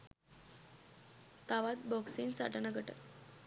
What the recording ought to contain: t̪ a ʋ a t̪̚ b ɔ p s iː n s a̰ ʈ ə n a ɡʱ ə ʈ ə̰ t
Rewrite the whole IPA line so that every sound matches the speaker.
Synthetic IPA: t̪ a ʋ a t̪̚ b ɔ k s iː n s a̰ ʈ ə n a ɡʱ ə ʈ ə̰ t